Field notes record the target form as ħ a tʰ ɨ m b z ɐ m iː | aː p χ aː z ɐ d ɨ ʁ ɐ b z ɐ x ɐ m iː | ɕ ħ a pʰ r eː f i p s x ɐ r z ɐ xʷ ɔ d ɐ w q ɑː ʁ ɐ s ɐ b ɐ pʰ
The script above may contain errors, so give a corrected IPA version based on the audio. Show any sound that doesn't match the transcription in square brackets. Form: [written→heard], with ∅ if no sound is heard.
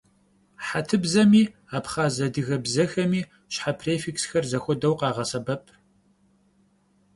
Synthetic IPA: ħ a tʰ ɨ [m→∅] b z ɐ m iː | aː p χ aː z ɐ d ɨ [ʁ→ɣ] ɐ b z ɐ x ɐ m iː | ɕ ħ a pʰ r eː f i [p→k] s x ɐ r z ɐ xʷ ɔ d ɐ w q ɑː ʁ ɐ s ɐ b ɐ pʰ